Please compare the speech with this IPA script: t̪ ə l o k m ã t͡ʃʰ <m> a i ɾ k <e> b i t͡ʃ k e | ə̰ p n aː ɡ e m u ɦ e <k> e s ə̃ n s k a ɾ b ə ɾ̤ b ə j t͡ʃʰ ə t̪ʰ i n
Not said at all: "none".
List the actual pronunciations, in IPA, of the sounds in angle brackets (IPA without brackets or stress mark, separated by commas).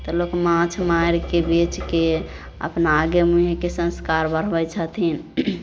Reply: m, e, k